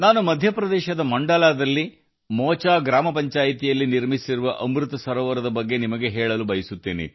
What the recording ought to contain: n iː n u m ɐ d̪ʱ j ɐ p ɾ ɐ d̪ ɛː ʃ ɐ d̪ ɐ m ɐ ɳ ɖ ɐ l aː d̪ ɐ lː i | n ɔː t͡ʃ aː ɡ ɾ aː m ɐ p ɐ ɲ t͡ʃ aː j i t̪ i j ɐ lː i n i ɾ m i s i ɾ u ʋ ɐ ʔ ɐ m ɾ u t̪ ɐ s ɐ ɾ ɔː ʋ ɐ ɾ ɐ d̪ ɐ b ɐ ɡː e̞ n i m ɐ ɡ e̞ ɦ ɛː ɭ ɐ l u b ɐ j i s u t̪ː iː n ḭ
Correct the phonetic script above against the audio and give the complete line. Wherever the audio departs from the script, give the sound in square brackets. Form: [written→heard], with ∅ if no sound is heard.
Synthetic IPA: n [iː→aː] n u m ɐ d̪ʱ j ɐ p ɾ ɐ d̪ ɛː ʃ ɐ d̪ ɐ m ɐ ɳ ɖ ɐ l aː d̪ ɐ lː i | [n→m] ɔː t͡ʃ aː ɡ ɾ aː m ɐ p ɐ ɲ t͡ʃ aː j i t̪ i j ɐ lː i n i ɾ m i s i ɾ u ʋ ɐ ʔ ɐ m ɾ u t̪ ɐ s ɐ ɾ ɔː ʋ ɐ ɾ ɐ d̪ ɐ b ɐ ɡː e̞ n i m ɐ ɡ e̞ ɦ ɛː ɭ ɐ l u b ɐ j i s u t̪ː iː n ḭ

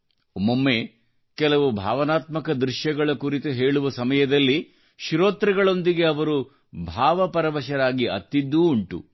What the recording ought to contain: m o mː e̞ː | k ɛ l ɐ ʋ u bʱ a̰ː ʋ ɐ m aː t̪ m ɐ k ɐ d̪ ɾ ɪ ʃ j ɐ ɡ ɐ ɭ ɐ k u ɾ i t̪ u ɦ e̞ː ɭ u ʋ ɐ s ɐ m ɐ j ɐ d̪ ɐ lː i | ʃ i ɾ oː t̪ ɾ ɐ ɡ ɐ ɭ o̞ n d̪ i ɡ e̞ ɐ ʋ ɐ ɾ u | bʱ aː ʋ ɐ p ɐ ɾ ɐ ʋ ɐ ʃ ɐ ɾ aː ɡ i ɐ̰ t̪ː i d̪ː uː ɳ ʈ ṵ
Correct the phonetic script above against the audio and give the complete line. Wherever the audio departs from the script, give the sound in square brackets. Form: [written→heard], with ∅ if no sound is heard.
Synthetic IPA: m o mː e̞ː | k ɛ l ɐ ʋ u bʱ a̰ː ʋ ɐ [m→n] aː t̪ m ɐ k ɐ d̪ ɾ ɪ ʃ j ɐ ɡ ɐ ɭ ɐ k u ɾ i t̪ u ɦ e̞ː ɭ u ʋ ɐ s ɐ m ɐ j ɐ d̪ ɐ lː i | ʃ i ɾ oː t̪ ɾ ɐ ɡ ɐ ɭ o̞ n d̪ i ɡ e̞ ɐ ʋ ɐ ɾ u | bʱ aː ʋ ɐ p ɐ ɾ ɐ ʋ ɐ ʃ ɐ ɾ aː ɡ i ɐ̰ t̪ː i d̪ː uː ɳ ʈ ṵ

